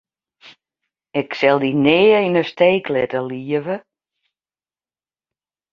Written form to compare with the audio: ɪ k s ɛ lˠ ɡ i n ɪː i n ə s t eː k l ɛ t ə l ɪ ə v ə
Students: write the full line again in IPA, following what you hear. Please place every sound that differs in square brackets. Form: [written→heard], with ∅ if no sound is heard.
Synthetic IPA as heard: ɪ k s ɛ lˠ [ɡ→d] i n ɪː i n ə s t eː k l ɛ t ə l [ɪ→i] ə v ə